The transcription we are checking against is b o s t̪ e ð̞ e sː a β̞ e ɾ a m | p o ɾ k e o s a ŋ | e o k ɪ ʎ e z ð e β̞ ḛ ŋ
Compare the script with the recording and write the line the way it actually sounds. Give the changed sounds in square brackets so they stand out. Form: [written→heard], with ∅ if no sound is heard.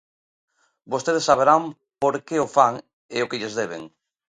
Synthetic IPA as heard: b o s t̪ e ð̞ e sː a β̞ e ɾ a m | p o ɾ k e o [s→f] a ŋ | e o k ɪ ʎ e z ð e β̞ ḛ ŋ